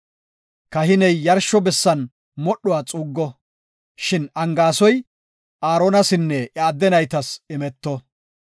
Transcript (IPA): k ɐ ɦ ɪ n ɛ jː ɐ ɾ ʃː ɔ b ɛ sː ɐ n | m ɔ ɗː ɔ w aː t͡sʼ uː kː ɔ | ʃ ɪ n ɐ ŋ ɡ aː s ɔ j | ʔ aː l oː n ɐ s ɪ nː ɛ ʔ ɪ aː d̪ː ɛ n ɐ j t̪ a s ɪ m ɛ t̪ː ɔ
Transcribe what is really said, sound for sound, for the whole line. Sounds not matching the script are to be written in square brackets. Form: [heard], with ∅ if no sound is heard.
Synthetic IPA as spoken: k ɐ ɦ ɪ n ɛ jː ɐ ɾ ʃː ɔ b ɛ sː ɐ n | m ɔ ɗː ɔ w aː t͡sʼ uː [ɡː] ɔ | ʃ ɪ n ɐ ŋ ɡ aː s ɔ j | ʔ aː [ɾ] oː n ɐ s ɪ nː ɛ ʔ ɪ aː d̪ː ɛ n ɐ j t̪ [ɐ] s ɪ m ɛ t̪ː ɔ